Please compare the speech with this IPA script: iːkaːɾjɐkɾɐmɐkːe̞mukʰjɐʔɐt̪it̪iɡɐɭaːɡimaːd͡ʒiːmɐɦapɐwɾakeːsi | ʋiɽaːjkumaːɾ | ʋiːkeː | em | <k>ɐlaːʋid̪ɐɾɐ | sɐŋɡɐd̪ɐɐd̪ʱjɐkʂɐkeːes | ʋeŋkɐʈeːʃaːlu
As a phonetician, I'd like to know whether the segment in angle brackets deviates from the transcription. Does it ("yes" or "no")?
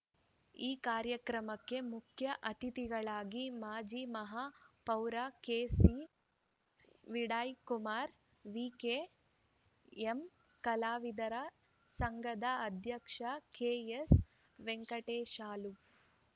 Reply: no